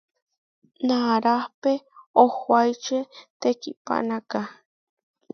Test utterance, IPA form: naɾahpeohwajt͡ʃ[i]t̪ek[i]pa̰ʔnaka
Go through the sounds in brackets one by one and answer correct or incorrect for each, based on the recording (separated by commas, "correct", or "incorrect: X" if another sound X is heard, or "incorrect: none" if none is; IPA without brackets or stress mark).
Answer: incorrect: e, correct